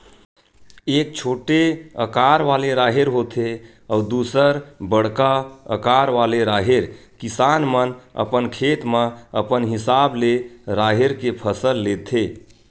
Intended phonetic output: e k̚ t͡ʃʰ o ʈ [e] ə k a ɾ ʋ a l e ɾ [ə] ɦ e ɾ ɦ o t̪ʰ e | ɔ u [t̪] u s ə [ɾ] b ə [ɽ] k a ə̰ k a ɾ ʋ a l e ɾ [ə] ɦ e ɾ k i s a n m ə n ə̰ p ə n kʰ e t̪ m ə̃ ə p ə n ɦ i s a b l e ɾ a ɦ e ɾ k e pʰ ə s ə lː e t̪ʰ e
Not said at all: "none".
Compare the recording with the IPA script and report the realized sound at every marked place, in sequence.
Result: e, a, d̪, ɾ, ɽ, a

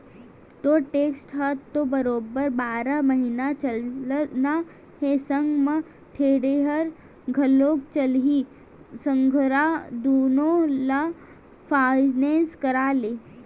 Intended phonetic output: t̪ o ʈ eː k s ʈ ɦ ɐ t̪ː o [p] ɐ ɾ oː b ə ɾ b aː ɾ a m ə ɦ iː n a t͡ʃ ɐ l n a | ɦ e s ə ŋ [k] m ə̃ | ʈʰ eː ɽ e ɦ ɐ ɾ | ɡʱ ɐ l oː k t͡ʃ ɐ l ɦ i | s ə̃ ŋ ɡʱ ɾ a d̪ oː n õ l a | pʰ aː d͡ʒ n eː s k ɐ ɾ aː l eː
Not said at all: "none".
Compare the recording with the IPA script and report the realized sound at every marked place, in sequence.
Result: b, ɡ

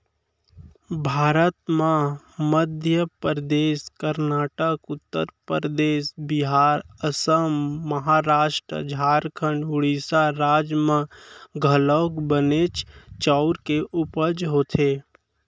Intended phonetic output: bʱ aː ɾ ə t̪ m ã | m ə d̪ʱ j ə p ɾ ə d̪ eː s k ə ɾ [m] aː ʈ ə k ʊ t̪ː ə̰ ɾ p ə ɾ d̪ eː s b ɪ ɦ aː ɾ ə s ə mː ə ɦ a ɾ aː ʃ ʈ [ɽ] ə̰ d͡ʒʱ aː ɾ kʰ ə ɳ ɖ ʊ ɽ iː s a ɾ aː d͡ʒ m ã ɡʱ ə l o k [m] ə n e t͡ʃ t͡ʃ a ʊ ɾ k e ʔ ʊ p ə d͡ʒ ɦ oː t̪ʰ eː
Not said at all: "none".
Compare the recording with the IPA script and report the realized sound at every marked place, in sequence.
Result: n, ɾ, b

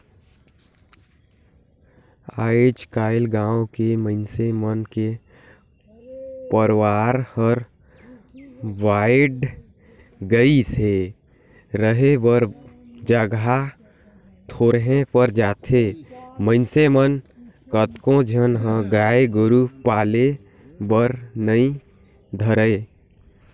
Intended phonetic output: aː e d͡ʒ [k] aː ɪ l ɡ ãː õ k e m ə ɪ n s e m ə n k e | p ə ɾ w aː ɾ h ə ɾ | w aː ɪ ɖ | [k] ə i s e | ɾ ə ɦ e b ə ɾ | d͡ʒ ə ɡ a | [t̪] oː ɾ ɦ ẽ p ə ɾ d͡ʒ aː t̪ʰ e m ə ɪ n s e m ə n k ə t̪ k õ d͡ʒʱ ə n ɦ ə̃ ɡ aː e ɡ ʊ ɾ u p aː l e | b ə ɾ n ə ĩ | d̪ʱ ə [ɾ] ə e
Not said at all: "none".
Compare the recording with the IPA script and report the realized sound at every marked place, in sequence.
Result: k, ɡ, t̪ʰ, ɾ

